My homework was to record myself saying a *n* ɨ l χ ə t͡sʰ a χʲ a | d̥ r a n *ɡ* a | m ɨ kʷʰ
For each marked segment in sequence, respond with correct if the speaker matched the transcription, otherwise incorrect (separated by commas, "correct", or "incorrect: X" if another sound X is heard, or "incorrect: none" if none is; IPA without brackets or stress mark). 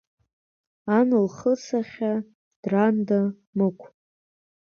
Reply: correct, incorrect: d